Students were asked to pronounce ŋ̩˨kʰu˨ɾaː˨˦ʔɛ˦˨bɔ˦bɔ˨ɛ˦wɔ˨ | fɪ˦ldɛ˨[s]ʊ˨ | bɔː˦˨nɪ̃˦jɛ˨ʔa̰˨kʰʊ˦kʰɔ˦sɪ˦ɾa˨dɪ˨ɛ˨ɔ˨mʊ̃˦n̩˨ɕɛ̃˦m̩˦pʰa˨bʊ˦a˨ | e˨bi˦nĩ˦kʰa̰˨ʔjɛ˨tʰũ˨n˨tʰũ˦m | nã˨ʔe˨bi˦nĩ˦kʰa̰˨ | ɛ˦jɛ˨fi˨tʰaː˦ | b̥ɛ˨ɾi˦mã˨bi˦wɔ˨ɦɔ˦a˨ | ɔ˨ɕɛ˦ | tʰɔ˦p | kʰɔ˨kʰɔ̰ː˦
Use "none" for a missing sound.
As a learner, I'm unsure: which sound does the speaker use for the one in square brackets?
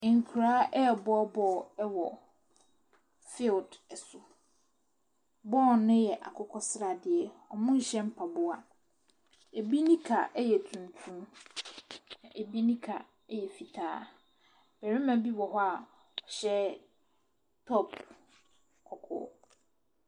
s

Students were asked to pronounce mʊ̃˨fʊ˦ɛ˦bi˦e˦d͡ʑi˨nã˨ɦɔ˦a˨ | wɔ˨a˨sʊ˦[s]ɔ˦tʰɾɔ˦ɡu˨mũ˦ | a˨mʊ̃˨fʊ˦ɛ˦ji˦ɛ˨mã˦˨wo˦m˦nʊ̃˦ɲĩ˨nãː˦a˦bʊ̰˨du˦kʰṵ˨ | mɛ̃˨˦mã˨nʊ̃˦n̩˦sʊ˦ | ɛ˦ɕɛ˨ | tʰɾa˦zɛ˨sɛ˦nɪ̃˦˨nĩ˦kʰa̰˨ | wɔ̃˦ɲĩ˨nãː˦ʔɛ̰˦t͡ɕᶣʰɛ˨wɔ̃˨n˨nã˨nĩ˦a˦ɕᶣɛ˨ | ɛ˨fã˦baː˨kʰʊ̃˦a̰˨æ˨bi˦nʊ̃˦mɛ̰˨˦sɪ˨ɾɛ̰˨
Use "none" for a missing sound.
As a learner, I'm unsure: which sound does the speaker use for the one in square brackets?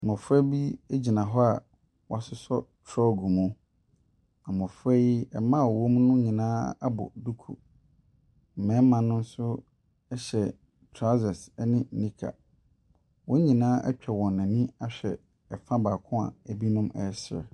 s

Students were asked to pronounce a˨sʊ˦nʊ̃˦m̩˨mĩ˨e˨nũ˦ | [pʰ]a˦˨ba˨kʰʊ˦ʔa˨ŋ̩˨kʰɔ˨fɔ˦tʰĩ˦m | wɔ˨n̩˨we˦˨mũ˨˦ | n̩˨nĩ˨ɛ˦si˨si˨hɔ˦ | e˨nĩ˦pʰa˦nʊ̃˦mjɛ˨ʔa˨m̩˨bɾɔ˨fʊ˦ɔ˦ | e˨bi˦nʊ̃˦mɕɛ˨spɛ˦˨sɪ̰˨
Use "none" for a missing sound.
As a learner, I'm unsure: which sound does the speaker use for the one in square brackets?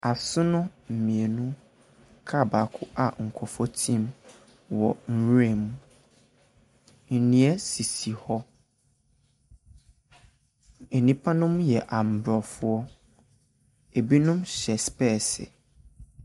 kʰ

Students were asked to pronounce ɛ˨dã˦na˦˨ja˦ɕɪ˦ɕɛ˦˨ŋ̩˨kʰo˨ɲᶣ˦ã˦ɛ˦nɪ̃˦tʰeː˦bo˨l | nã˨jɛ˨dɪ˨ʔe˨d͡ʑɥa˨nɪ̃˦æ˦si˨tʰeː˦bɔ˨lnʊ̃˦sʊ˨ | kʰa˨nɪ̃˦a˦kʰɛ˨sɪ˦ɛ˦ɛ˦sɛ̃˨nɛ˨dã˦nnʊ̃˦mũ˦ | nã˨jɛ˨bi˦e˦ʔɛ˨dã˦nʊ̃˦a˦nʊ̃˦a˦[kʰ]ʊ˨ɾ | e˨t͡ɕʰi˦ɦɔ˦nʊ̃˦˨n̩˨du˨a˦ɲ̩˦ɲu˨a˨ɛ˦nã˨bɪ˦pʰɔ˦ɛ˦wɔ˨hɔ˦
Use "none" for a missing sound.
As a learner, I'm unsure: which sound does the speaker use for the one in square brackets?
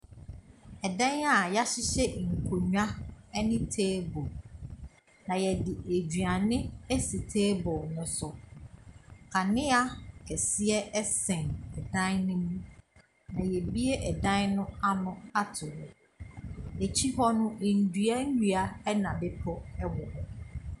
tʰ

